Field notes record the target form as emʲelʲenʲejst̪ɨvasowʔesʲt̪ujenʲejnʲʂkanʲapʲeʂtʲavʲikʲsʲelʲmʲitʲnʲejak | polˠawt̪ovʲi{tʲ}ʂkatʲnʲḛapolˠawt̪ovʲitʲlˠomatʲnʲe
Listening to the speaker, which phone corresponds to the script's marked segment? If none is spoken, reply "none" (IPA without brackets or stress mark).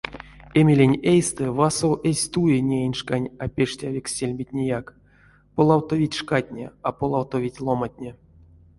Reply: tʲ